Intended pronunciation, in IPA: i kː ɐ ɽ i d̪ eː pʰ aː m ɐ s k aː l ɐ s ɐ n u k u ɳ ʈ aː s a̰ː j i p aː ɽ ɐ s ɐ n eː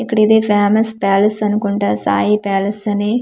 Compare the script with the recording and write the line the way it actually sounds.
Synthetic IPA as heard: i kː ɐ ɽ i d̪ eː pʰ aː m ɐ s p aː l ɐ s ɐ n u k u ɳ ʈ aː s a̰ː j i p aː l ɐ s ɐ n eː